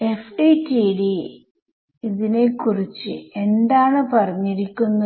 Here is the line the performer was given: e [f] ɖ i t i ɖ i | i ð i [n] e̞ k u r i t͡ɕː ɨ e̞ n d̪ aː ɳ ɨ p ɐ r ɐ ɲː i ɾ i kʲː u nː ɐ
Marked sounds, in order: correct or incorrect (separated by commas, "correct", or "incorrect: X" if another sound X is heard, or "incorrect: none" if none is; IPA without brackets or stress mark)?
correct, correct